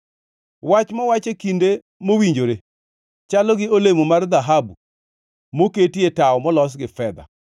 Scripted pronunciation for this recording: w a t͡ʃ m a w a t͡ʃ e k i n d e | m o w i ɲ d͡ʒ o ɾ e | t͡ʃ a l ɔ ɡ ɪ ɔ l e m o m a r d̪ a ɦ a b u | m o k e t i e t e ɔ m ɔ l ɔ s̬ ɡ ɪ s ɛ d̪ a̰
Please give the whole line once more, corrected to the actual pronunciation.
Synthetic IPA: w a t͡ʃ m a w a t͡ʃ e k i n d e | m o w i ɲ d͡ʒ o ɾ e | t͡ʃ a l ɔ ɡ ɪ o l e m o m a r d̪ a ɦ a b u | m o k e t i e t a ɔ m ɔ l ɔ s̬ ɡ ɪ f ɛ d̪ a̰